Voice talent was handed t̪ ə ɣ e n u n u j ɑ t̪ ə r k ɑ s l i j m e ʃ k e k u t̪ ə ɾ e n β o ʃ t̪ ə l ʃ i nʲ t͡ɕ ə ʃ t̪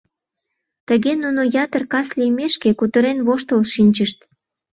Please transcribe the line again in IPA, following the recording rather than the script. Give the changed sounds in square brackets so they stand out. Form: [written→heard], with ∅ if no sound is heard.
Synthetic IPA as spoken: t̪ ə ɣ e n u n [u→o] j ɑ t̪ ə r k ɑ s l i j m e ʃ k e k u t̪ ə ɾ e n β o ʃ t̪ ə l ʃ i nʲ t͡ɕ ə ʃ t̪

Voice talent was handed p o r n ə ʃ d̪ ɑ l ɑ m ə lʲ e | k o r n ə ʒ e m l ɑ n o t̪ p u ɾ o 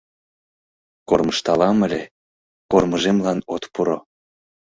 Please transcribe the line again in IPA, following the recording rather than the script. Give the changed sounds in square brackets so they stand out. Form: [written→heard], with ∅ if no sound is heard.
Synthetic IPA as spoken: [p→k] o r [n→m] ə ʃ [d̪→t̪] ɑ l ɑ m ə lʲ e | k o r [n→m] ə ʒ e m l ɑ n o t̪ p u ɾ o

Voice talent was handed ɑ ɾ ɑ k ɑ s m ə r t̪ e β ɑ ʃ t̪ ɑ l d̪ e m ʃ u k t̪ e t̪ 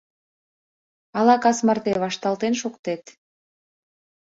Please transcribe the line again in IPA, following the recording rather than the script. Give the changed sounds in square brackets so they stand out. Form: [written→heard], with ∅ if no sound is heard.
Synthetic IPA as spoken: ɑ [ɾ→l] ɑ k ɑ s m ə r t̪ e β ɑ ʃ t̪ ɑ l [d̪→t̪] e [m→n] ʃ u k t̪ e t̪

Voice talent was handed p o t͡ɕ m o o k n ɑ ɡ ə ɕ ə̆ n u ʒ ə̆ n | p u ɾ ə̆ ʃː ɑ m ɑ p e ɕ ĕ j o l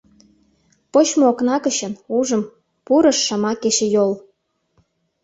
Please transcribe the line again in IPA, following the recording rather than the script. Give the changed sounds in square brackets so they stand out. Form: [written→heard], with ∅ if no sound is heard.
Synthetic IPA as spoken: p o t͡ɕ m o o k n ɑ [ɡ→k] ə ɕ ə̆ n u ʒ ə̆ [n→m] | p u ɾ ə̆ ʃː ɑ m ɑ [p→k] e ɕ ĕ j o l

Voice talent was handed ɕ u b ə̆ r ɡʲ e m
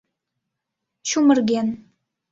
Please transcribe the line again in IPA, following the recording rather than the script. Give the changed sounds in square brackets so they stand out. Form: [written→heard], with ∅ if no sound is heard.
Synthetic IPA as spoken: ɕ u [b→m] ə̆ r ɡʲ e [m→n]

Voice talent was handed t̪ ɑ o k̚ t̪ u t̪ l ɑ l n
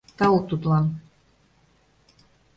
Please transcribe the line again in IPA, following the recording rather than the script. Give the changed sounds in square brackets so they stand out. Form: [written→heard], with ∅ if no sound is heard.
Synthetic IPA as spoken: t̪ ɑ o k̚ t̪ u t̪ l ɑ [l→∅] n

